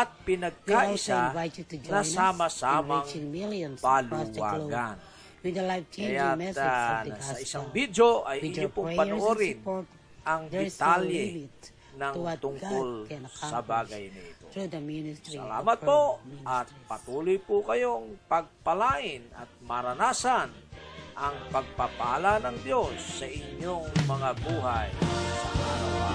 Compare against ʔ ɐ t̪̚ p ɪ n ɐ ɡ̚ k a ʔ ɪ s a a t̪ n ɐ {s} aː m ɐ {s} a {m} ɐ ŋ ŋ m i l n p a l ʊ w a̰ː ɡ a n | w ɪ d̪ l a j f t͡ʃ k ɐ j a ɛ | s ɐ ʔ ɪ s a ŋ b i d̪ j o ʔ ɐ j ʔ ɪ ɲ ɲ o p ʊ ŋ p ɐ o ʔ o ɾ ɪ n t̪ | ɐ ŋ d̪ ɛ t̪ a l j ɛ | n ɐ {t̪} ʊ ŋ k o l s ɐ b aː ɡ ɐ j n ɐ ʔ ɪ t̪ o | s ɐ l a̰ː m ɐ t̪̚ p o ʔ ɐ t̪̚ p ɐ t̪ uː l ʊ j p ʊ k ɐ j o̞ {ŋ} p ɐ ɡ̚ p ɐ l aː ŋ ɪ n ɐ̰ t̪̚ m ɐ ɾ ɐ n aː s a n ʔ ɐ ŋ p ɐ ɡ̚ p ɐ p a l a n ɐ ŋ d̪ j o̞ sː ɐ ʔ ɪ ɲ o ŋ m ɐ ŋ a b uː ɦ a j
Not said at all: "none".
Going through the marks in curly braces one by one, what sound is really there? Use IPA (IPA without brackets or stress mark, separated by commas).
s, s, m, t̪, ŋ